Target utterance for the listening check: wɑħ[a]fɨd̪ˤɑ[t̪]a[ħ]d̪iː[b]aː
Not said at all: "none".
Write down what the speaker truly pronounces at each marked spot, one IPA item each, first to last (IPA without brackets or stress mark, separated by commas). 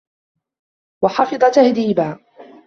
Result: ɑ, t̪, h, b